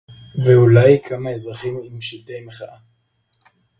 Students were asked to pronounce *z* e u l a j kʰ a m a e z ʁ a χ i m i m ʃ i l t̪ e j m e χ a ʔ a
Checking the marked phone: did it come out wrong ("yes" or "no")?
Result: yes